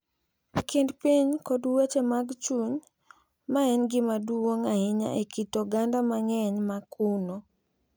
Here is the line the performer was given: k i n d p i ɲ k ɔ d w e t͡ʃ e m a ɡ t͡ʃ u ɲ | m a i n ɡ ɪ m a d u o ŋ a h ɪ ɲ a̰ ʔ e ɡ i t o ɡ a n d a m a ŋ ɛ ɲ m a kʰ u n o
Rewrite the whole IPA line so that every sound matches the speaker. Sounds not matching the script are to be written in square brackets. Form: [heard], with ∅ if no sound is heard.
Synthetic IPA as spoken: k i n d p i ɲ k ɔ d w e t͡ʃ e m a ɡ t͡ʃ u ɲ | m a [ɛ] n ɡ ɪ m a d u o ŋ a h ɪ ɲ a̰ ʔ e [k] i t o ɡ a n d a m a ŋ ɛ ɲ m a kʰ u n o